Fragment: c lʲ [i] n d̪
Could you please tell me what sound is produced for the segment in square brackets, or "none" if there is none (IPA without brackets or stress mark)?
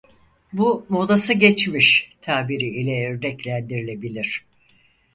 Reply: æ